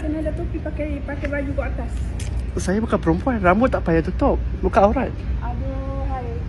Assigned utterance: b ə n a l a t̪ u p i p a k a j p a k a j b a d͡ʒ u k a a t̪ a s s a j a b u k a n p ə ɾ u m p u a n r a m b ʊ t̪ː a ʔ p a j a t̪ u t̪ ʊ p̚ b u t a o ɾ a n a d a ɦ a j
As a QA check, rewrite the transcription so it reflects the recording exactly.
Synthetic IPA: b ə n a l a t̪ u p i p a k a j p a k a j b a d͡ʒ u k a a t̪ a s s a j a b u k a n p ə ɾ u m p u a n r a m b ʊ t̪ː a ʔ p a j a t̪ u t̪ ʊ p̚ b u k a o ɾ a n a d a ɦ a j

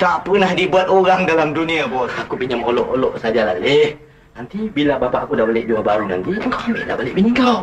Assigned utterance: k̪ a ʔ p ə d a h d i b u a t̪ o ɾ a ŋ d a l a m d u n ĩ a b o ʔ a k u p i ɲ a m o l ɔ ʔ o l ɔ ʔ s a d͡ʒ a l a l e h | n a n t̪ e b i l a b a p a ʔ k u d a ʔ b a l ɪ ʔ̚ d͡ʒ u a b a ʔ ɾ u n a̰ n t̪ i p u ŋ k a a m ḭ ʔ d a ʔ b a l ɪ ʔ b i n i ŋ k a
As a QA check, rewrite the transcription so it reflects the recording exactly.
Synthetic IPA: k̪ a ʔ p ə n a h d i b u a t̪ o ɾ a ŋ d a l a m d u n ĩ a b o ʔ a k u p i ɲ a m o l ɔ ʔ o l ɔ ʔ s a d͡ʒ a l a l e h | n a n t̪ i b i l a b a p a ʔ k u d a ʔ b a l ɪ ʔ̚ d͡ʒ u a b a ɾ u n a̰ n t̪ i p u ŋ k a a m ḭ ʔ d a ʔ b a l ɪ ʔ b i n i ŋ k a

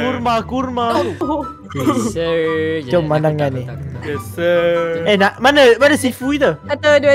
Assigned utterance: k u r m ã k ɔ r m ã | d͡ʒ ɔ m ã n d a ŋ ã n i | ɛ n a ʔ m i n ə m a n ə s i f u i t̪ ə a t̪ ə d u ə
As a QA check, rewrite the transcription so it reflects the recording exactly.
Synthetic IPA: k u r m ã k u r m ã | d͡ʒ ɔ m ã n d a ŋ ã n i | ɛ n a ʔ m a n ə m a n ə s i f u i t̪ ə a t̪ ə d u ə

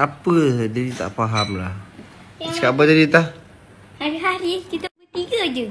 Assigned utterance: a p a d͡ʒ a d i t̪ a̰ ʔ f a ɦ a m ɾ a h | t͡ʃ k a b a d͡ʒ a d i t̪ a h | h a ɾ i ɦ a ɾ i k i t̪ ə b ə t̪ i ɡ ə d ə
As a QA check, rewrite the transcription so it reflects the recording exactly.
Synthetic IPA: a p ə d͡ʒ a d i t̪ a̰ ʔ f a ɦ a m l a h | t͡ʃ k a b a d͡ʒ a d i t̪ a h | h a ɾ i ɦ a ɾ i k i t̪ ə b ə t̪ i ɡ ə d͡ʒ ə

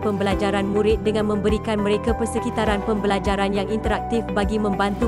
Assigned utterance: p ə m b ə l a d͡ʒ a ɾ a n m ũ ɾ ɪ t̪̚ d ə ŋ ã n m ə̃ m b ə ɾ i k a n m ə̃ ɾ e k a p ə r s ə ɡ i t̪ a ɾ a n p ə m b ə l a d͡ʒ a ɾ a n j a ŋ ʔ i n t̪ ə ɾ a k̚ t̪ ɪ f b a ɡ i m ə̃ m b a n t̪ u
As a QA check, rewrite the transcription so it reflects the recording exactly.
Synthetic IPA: p ə m b ə l a d͡ʒ a ɾ a n m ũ ɾ ɪ t̪̚ d ə ŋ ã n m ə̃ m b ə ɾ i k a n m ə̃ ɾ e k a p ə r s ə k i t̪ a ɾ a n p ə m b ə l a d͡ʒ a ɾ a n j a ŋ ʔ i n t̪ ə ɾ a k̚ t̪ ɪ f b a ɡ i m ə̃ m b a n t̪ u

